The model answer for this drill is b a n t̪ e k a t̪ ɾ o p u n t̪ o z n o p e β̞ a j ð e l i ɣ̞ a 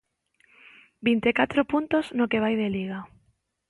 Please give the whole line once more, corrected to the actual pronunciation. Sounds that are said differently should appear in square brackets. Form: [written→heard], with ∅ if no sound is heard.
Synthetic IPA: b [a→i] n t̪ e k a t̪ ɾ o p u n t̪ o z n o [p→k] e β̞ a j ð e l i ɣ̞ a